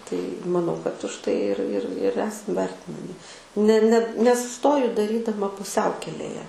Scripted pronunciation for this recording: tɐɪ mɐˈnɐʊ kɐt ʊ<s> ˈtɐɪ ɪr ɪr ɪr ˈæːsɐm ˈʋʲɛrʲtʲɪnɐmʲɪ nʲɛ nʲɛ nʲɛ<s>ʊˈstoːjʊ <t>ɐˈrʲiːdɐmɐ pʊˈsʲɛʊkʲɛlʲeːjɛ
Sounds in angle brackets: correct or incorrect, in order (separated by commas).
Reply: incorrect, correct, incorrect